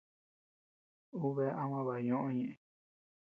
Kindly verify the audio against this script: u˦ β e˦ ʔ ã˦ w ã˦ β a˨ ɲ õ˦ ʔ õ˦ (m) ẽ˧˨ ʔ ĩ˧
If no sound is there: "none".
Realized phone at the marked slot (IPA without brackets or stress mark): ɲ